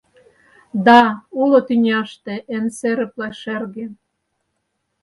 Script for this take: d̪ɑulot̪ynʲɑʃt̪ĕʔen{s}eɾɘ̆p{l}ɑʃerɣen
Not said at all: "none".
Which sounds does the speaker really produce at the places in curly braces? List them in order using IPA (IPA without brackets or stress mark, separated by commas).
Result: s, l